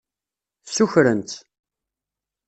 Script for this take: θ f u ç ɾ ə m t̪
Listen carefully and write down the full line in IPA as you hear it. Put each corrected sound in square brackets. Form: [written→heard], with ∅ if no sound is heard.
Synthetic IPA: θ [f→s] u ç ɾ ə [m→n] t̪